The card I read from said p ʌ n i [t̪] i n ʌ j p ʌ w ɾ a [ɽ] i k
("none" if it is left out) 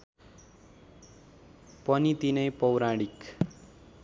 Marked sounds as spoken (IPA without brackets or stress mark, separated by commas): t̪, ɽ